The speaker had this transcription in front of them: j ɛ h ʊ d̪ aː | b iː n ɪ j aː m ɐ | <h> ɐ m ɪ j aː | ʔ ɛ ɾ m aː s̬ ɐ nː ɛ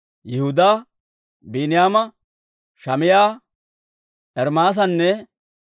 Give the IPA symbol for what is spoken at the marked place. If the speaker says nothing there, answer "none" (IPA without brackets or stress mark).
ʃ